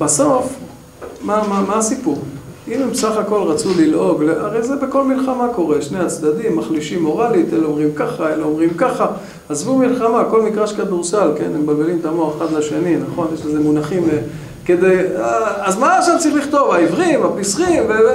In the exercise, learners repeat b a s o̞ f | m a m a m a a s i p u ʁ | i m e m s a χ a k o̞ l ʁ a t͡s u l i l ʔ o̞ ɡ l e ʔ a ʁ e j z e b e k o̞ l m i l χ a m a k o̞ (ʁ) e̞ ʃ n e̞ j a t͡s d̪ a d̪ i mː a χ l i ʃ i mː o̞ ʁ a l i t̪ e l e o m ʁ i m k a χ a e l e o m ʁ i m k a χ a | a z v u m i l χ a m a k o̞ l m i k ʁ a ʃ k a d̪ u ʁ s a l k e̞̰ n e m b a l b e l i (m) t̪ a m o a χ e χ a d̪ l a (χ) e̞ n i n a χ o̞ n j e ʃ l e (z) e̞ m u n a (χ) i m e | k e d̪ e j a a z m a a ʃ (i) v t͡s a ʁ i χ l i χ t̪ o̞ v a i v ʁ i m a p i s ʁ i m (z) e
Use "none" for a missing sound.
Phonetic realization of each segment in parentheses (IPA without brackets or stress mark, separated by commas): ʁ, m, ʃ, z, χ, a, v